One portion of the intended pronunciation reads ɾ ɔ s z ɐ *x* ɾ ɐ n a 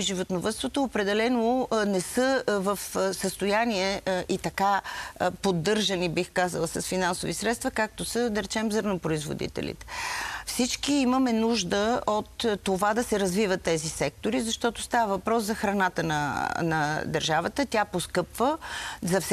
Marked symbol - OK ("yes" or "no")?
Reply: yes